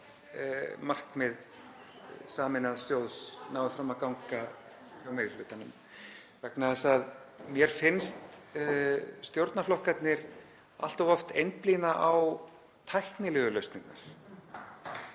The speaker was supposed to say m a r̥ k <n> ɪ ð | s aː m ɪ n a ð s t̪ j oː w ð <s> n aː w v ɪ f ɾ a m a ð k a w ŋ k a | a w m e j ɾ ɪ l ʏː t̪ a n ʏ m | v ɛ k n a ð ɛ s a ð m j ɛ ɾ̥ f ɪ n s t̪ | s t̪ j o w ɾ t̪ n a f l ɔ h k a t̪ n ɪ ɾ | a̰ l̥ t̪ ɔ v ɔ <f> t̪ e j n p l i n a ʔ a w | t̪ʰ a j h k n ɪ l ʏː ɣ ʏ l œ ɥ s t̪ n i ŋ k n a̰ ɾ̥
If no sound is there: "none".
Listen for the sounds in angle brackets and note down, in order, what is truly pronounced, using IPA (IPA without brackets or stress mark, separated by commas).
m, s, f